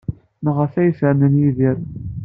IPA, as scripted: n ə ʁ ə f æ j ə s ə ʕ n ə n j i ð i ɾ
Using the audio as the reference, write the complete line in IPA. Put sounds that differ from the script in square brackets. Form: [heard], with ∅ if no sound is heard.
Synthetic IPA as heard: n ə ʁ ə f æ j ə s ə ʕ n ə n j i ð i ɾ